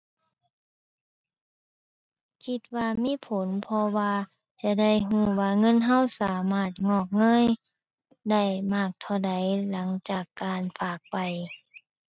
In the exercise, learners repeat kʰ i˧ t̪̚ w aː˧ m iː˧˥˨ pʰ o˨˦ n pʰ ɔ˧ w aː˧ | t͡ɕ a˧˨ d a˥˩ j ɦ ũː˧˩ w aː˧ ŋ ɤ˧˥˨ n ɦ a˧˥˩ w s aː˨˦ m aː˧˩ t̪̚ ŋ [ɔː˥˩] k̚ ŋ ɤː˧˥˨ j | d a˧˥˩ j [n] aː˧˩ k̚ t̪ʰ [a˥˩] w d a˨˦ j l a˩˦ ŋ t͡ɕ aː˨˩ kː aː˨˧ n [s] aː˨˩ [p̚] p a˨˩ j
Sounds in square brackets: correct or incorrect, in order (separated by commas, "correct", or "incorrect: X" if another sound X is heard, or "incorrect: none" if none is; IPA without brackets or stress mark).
incorrect: ɔː˧˩, incorrect: m, incorrect: a˧˩, incorrect: f, incorrect: k̚